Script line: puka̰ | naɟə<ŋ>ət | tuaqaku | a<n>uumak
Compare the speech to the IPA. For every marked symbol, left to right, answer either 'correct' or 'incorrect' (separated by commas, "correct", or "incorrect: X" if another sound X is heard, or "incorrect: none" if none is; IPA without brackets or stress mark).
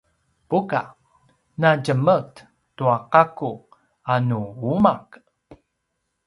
incorrect: m, correct